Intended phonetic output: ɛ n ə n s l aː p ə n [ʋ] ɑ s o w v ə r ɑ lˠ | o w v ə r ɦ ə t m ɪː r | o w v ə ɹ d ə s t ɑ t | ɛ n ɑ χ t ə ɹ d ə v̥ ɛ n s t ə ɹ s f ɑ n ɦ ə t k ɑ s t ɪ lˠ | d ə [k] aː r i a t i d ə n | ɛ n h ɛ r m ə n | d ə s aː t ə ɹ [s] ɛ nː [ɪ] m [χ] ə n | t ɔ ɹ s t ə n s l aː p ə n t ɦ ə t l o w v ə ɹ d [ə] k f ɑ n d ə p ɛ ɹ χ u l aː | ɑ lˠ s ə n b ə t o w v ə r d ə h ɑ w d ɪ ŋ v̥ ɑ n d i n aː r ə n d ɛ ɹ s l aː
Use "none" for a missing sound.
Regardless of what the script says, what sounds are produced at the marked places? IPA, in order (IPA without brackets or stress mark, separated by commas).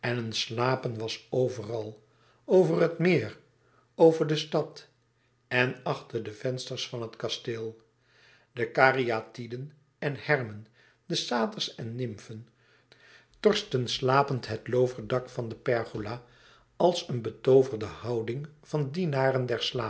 ʋ, k, s, ɪ, f, ɑ